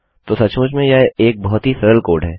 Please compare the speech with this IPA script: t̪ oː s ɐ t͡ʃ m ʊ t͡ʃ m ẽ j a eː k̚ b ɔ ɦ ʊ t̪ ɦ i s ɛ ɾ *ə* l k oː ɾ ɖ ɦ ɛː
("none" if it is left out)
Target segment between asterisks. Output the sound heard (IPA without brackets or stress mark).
ə